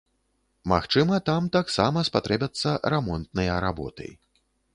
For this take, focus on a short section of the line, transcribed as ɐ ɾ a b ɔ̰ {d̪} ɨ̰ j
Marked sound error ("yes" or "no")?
yes